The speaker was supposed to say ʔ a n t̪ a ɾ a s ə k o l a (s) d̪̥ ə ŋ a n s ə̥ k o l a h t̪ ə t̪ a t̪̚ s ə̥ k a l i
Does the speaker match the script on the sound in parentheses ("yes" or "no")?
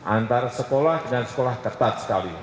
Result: no